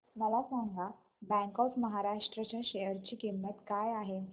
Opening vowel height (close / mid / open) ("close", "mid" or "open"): mid